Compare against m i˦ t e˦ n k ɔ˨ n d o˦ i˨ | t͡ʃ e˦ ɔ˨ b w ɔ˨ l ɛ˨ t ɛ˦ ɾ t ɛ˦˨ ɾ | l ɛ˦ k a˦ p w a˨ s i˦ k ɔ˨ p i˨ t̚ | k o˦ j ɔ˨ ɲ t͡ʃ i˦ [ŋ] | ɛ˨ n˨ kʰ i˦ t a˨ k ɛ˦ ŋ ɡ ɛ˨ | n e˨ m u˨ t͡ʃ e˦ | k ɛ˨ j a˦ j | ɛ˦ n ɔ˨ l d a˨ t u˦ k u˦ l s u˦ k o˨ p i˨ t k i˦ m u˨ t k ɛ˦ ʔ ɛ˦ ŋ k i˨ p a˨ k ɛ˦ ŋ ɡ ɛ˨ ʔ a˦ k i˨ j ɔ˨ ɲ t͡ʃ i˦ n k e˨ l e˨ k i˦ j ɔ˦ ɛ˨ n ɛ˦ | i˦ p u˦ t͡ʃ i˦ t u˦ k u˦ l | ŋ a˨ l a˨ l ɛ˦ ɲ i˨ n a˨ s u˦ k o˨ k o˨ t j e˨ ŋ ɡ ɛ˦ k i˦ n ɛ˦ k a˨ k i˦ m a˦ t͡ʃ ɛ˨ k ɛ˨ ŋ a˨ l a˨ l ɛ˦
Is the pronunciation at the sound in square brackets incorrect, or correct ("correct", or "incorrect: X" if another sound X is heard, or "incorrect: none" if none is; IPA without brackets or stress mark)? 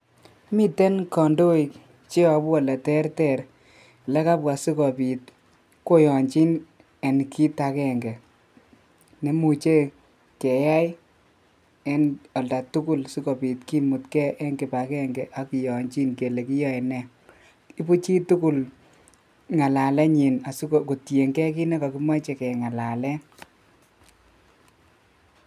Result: incorrect: n